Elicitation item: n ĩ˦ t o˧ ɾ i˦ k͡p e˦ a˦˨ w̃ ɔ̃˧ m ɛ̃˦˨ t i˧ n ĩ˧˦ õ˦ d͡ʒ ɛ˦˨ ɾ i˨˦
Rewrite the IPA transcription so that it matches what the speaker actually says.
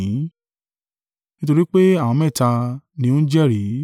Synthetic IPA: n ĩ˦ t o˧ ɾ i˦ k͡p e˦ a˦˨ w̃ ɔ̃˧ m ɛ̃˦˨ t a˧ n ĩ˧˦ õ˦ d͡ʒ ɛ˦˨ ɾ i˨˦